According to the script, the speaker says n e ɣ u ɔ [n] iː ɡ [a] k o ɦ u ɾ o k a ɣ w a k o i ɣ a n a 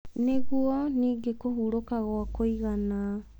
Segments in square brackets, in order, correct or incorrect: correct, incorrect

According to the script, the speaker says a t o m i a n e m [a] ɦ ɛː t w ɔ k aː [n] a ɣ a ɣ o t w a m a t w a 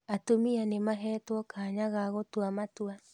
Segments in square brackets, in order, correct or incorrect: correct, incorrect

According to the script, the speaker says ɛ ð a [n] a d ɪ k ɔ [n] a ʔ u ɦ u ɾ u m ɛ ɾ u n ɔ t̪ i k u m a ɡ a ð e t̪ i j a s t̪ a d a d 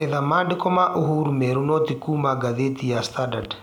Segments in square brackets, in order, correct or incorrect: incorrect, incorrect

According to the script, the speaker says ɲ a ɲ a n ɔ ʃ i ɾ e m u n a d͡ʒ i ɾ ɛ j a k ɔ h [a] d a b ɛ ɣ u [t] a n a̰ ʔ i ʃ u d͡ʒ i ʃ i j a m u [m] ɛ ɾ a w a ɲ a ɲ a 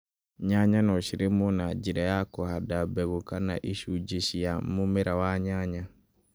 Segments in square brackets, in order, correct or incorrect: correct, incorrect, correct

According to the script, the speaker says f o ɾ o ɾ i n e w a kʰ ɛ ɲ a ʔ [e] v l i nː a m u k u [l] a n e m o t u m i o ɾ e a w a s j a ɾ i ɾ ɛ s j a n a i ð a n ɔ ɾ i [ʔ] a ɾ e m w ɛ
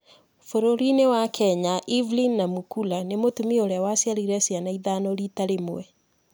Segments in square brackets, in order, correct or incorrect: incorrect, correct, incorrect

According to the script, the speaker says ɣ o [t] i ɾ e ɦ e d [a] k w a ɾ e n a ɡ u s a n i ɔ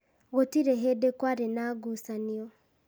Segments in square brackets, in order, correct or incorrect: correct, incorrect

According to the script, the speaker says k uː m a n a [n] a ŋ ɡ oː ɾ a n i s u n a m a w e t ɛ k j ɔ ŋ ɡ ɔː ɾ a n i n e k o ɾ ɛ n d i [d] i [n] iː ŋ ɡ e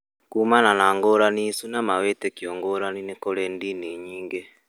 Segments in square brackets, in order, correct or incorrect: correct, incorrect, incorrect

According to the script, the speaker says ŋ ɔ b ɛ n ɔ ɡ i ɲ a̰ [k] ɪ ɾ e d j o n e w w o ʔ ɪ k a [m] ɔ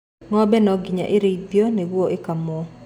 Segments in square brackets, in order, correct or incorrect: incorrect, correct

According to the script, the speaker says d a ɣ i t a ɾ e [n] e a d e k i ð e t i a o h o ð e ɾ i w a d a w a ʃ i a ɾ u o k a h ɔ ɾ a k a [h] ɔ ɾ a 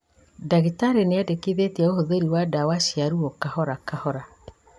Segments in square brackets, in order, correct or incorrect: correct, correct

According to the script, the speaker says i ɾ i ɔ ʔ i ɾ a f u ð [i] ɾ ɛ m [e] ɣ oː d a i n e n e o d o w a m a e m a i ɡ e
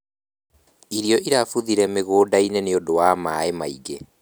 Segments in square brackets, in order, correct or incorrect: correct, correct

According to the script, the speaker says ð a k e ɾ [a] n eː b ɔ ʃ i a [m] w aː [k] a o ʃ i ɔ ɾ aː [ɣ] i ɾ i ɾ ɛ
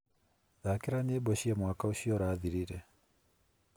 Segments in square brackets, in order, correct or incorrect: correct, correct, correct, incorrect

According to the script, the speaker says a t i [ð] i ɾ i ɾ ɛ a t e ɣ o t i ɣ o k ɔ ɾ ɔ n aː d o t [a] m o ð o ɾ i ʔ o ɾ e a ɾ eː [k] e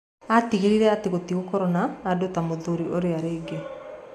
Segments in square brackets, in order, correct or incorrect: incorrect, correct, incorrect

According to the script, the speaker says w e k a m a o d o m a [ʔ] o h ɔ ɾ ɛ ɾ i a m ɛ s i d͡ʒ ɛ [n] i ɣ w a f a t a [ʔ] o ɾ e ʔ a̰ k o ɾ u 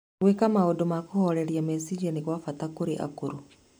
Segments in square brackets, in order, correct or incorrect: incorrect, correct, incorrect

